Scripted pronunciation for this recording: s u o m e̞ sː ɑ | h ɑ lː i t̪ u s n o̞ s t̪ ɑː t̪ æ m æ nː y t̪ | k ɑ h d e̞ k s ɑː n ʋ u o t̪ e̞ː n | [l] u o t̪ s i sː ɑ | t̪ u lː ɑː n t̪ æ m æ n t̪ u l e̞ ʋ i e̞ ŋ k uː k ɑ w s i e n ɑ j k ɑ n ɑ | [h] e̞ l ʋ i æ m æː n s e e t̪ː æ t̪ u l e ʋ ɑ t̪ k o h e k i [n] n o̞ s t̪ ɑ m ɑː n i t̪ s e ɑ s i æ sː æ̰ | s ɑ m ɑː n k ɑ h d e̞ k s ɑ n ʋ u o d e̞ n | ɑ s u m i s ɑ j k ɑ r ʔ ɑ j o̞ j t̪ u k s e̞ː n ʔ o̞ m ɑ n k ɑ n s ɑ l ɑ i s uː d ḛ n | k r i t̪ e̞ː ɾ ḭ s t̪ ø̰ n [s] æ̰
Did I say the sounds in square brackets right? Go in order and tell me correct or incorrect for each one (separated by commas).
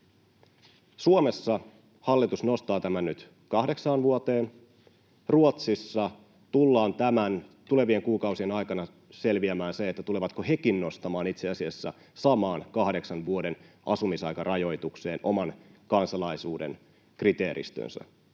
incorrect, incorrect, correct, correct